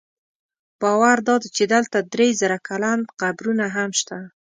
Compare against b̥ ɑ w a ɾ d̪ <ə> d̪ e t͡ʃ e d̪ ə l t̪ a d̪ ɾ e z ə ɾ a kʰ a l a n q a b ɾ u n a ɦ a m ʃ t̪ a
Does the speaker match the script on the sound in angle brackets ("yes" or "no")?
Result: no